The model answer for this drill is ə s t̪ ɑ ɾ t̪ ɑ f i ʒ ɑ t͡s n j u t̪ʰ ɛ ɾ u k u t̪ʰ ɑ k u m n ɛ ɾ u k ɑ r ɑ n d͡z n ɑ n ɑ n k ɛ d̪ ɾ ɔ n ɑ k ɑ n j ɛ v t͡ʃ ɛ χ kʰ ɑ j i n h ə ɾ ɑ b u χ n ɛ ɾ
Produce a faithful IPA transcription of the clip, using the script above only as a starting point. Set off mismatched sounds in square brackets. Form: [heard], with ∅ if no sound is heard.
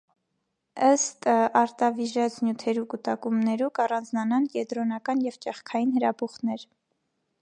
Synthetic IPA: ə s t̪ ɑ ɾ t̪ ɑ [v] i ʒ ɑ t͡s n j u t̪ʰ ɛ ɾ u k u [t̪] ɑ k u m n ɛ ɾ u k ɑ r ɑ n d͡z n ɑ n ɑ n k ɛ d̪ ɾ ɔ n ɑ k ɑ n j ɛ v t͡ʃ ɛ χ kʰ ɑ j i n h ə ɾ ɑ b u χ n ɛ ɾ